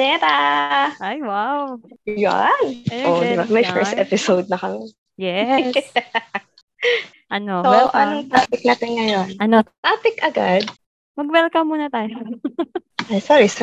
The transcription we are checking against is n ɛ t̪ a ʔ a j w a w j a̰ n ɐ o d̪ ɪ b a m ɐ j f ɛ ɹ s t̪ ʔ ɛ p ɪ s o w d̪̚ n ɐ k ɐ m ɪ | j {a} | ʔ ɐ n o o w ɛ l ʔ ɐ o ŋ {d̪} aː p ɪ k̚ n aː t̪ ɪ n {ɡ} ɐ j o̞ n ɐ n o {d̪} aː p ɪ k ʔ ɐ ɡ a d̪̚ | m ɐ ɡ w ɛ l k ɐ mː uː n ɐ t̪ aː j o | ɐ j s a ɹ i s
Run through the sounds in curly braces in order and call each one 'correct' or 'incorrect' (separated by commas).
incorrect, incorrect, incorrect, incorrect